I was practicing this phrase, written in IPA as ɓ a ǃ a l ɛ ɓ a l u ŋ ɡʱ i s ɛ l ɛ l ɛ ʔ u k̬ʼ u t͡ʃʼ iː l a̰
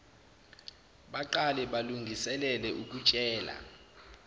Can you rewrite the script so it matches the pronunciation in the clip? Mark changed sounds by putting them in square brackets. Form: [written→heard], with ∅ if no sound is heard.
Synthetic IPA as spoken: ɓ a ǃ a l ɛ ɓ a l u ŋ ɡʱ i s ɛ l ɛ l ɛ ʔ u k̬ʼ u t͡ʃʼ [iː→ɛː] l a̰